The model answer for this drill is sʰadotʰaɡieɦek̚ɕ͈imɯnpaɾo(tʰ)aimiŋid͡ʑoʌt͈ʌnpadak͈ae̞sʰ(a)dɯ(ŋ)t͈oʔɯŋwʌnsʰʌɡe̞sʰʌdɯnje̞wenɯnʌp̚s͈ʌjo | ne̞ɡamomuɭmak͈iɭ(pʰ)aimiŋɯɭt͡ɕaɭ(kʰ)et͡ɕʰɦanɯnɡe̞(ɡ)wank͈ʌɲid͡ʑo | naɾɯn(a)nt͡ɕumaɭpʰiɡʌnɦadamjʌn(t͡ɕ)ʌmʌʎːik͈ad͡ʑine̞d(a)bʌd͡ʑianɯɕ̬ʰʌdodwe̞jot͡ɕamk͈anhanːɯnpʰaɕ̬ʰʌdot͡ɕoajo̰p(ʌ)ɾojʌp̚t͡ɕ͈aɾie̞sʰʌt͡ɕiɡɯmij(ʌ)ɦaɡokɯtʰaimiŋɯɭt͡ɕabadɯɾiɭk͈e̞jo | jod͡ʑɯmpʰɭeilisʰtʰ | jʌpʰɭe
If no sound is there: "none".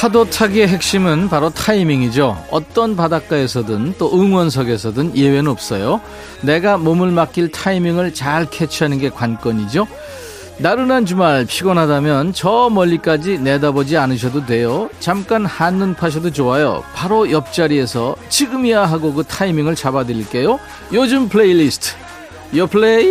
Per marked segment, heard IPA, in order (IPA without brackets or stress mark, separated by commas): tʰ, ʌ, n, tʰ, kʰ, k, a, t͡ɕ, a, a, a